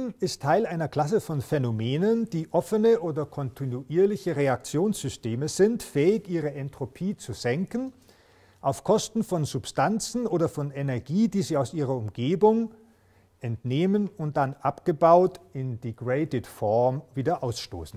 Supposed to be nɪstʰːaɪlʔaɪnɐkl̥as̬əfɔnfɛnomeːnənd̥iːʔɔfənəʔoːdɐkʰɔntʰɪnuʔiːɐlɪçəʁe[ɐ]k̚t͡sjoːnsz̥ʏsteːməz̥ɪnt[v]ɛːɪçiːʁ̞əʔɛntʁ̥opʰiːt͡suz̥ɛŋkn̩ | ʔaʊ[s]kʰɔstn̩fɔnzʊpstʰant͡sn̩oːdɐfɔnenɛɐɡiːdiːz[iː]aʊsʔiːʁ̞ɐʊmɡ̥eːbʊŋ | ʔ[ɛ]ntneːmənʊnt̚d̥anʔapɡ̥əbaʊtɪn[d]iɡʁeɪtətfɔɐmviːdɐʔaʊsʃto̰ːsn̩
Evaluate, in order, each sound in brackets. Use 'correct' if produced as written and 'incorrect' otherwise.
incorrect: a, incorrect: f, incorrect: f, correct, correct, correct

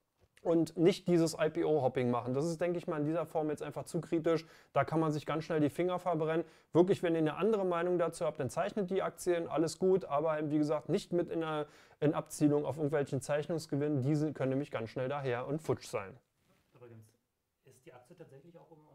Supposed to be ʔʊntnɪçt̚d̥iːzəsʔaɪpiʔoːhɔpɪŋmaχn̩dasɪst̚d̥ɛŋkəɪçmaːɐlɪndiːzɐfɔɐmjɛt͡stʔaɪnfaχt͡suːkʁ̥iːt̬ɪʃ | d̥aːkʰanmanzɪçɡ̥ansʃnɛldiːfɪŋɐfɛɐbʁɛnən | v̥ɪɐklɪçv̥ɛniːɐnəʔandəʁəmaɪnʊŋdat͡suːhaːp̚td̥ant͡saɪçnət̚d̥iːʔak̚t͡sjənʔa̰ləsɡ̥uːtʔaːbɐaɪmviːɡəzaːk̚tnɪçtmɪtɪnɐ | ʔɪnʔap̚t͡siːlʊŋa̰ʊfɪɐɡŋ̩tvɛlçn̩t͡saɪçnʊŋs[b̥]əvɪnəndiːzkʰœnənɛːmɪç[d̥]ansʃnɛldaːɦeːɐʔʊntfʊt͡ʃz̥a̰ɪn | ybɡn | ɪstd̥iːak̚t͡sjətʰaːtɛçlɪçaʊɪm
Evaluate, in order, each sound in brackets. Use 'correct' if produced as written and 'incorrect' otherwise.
incorrect: ɡ̥, incorrect: ɡ̥

